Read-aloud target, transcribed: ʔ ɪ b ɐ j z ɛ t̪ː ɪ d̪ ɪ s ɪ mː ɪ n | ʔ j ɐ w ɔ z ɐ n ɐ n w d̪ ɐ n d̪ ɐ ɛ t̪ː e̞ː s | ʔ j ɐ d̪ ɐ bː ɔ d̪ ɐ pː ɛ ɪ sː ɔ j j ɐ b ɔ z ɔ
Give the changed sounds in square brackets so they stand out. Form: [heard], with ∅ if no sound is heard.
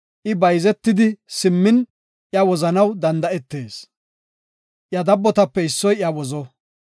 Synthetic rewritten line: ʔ ɪ b ɐ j z ɛ t̪ː ɪ d̪ ɪ s ɪ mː ɪ n | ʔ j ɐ w ɔ z ɐ n ɐ [∅] w d̪ ɐ n d̪ ɐ ɛ t̪ː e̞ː s | ʔ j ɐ d̪ ɐ bː ɔ [t̪] ɐ pː ɛ ɪ sː ɔ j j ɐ [w] ɔ z ɔ